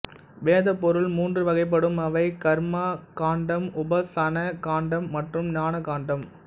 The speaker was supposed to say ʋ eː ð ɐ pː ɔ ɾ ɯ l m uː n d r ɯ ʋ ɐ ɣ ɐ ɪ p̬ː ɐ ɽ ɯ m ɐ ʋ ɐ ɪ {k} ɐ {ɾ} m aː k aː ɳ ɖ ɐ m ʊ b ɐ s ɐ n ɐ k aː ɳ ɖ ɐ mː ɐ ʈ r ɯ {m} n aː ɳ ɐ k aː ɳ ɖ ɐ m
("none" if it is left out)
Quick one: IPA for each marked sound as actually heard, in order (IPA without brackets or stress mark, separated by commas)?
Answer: k, ɾ, m